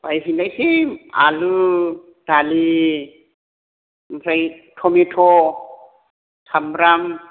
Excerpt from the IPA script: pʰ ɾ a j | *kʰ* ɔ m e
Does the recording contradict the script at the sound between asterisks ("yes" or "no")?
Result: yes